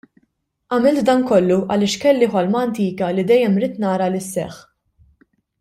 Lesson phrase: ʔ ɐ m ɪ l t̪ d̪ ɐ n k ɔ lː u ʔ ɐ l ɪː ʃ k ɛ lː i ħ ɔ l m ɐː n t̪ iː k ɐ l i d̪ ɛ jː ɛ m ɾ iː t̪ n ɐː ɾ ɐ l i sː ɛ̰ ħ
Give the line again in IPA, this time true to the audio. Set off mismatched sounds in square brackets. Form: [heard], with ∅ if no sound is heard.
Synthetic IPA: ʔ ɐ m ɪ l t̪ d̪ ɐ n k ɔ lː u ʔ ɐ l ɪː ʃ k ɛ lː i ħ ɔ l m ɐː n t̪ iː k ɐ l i d̪ ɛ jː ɛ m ɾ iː t̪ n ɐː ɾ ɐ l [ɪ] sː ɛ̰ ħ